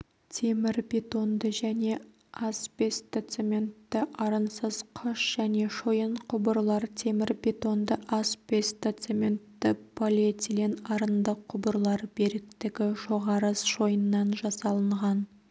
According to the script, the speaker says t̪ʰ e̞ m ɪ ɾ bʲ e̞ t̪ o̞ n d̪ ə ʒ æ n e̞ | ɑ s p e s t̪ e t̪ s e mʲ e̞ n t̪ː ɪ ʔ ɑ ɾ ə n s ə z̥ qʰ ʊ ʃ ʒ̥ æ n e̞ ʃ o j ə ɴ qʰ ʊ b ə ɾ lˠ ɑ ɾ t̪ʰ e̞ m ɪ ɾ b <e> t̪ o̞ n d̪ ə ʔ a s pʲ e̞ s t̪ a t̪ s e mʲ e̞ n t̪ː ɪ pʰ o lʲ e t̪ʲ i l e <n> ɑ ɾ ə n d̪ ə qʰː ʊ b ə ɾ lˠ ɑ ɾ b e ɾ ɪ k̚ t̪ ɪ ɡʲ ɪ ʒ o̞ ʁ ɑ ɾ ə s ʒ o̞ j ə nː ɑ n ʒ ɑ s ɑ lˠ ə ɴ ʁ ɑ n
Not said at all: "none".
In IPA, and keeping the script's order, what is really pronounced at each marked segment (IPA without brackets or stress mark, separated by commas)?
e, n